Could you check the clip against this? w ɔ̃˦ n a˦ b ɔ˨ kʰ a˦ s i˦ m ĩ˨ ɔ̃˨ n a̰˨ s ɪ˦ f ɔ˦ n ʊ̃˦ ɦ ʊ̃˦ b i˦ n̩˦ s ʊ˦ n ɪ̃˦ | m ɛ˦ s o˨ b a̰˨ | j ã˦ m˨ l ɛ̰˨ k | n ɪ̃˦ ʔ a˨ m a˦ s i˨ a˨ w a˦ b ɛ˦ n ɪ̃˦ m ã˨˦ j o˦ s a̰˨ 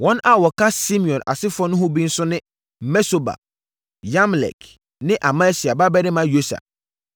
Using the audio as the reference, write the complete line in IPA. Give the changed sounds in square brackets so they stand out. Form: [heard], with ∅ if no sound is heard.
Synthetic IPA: w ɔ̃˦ n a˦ [w] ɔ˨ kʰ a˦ s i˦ m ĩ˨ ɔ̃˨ n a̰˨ s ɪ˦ f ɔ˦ n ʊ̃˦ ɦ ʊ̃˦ b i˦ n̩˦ s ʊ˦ n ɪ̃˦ | m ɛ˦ s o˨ b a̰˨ | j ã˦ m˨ l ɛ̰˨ k | n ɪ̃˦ ʔ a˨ m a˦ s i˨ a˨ [b] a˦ b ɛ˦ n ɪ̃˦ m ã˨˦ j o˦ s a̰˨